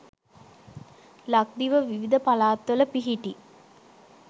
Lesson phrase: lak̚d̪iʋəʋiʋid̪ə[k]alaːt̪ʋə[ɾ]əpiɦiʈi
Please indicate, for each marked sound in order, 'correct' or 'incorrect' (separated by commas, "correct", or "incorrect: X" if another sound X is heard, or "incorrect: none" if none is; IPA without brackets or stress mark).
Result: incorrect: p, incorrect: l